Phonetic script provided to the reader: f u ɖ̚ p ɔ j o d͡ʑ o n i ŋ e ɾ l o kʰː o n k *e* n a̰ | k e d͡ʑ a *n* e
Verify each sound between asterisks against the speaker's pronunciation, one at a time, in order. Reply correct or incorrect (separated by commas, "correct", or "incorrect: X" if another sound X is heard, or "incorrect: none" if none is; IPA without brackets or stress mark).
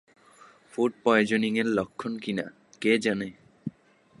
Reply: incorrect: i, correct